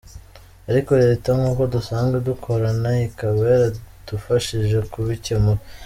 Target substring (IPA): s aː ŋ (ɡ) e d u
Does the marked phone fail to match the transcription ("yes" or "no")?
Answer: no